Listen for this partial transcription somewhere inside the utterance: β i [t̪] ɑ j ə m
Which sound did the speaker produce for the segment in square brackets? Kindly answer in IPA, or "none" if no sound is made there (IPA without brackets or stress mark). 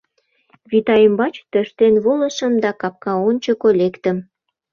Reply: t̪